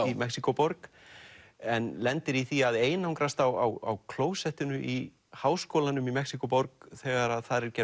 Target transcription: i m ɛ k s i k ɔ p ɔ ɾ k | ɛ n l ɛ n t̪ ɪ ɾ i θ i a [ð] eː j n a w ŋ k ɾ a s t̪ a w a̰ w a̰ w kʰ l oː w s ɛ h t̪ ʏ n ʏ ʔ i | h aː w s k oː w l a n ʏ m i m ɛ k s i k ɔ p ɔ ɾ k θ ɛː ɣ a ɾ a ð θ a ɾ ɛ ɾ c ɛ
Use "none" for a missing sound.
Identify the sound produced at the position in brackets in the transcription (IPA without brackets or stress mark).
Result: ð